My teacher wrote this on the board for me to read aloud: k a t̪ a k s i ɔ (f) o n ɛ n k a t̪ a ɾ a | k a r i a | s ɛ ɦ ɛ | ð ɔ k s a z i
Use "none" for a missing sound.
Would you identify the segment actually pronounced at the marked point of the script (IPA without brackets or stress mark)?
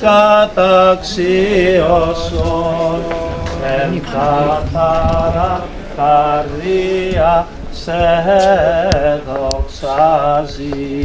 s